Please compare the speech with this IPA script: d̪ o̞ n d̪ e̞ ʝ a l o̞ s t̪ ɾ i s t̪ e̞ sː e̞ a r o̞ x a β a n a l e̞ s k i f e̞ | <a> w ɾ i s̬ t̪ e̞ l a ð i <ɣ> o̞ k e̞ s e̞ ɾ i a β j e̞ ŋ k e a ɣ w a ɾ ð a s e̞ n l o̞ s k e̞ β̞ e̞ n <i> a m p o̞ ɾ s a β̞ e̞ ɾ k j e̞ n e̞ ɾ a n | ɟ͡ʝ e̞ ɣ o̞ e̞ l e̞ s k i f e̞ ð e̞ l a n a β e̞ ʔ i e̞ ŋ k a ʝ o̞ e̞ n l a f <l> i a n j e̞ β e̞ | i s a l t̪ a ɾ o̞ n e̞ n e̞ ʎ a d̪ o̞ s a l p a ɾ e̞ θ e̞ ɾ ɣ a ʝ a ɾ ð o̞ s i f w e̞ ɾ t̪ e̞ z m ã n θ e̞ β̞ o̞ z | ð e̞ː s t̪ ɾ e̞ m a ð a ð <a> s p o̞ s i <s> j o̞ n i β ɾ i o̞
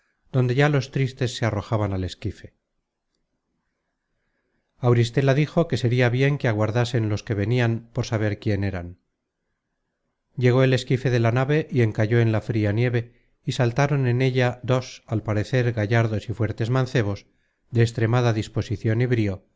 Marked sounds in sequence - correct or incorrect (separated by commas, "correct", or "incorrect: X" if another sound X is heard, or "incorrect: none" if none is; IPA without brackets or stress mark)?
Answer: correct, incorrect: x, correct, incorrect: ɾ, incorrect: i, incorrect: θ